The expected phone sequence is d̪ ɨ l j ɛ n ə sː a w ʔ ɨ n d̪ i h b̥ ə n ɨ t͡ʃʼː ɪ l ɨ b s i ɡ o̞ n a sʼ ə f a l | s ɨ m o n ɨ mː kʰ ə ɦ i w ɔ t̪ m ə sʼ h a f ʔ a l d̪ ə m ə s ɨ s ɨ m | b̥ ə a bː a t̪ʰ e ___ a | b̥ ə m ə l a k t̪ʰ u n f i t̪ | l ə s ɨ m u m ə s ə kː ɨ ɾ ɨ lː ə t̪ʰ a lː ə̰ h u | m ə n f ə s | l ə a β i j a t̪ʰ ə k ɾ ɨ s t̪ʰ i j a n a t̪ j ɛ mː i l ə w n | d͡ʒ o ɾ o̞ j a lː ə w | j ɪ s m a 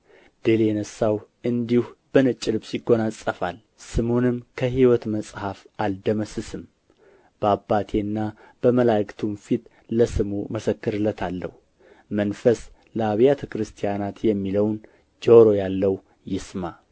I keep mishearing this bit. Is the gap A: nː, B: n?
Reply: A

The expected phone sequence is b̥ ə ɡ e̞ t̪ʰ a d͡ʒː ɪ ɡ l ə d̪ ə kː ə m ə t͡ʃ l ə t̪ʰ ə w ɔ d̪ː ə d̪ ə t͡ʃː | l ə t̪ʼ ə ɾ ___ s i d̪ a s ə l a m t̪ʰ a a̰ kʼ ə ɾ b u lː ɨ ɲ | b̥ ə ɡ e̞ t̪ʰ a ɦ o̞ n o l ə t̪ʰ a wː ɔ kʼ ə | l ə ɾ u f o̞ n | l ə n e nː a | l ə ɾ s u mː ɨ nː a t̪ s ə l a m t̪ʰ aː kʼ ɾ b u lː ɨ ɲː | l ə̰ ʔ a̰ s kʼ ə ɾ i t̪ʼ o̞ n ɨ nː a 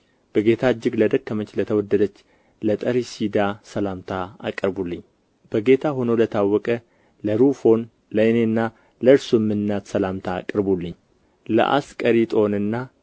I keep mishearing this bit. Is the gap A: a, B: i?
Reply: B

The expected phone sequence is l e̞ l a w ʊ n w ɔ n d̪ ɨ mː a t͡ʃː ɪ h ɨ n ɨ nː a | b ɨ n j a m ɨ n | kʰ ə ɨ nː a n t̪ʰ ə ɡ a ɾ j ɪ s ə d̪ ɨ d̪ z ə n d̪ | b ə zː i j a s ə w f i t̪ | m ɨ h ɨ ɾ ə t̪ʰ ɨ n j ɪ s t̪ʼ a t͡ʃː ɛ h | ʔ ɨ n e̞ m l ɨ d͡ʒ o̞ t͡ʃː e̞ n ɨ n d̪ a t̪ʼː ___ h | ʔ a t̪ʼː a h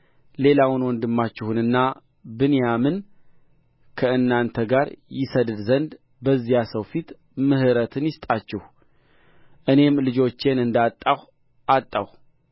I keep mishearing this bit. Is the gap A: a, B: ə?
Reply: A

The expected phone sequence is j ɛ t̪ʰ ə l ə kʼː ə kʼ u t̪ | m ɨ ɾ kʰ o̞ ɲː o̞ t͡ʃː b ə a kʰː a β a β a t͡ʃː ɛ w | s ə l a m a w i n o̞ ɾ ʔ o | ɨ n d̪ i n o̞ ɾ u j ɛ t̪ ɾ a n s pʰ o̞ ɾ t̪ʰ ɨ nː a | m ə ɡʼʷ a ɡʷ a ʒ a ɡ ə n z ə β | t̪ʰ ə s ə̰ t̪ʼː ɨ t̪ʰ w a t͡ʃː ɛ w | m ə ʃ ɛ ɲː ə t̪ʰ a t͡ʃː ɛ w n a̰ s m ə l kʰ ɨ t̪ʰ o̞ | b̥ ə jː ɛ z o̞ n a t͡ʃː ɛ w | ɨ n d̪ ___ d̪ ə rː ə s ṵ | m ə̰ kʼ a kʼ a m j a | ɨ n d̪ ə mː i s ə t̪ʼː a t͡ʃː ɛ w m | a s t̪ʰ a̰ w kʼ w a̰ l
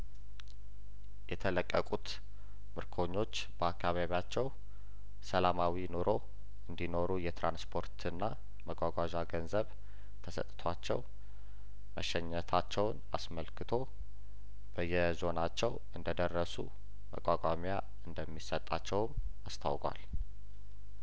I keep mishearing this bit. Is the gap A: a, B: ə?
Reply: B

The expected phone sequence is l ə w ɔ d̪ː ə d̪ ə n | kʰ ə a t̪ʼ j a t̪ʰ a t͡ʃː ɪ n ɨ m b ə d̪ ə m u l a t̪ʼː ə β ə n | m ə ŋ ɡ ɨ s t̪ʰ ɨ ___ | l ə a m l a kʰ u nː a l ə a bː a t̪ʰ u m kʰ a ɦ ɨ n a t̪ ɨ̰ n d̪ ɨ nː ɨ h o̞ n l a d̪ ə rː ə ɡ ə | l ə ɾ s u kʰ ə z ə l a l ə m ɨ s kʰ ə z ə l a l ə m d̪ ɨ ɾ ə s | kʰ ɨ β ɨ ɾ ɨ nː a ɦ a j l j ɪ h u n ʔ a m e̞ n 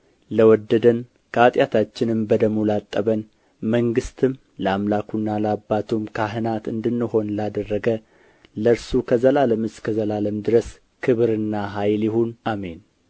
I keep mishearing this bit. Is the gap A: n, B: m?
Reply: B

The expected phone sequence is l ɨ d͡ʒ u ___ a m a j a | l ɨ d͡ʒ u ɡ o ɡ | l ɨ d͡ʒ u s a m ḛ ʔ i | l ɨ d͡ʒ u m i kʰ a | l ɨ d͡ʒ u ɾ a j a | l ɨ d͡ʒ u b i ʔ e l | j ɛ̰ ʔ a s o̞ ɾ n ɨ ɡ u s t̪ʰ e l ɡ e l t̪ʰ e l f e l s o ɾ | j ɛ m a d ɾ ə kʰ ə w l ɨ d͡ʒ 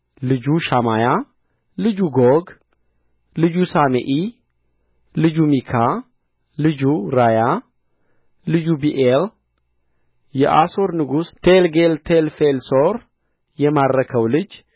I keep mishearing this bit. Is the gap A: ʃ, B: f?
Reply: A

